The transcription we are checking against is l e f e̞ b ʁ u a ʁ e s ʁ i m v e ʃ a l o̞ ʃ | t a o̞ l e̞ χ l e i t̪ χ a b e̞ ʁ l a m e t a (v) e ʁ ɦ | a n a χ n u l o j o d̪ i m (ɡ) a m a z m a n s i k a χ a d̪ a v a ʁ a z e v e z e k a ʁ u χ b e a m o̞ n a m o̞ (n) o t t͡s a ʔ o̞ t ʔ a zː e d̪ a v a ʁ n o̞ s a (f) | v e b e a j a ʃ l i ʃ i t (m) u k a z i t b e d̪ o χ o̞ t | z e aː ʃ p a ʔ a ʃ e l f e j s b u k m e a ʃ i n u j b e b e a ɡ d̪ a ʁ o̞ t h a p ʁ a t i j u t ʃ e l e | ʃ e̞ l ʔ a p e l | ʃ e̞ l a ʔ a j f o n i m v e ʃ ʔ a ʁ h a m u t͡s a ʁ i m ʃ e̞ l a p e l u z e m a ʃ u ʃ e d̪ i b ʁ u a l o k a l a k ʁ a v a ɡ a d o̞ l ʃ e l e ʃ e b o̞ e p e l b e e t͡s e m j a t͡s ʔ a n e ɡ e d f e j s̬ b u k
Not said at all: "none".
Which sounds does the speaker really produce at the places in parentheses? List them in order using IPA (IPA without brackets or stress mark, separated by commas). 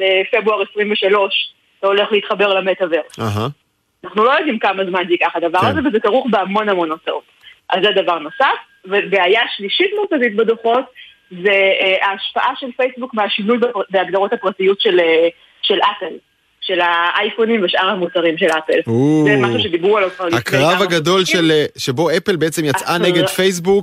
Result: v, k, n, f, m